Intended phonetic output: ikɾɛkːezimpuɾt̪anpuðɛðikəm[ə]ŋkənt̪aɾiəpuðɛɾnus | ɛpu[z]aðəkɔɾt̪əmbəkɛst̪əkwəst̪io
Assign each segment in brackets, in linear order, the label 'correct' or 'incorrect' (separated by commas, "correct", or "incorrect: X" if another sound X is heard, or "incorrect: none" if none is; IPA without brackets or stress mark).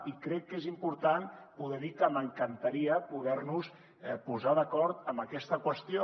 correct, correct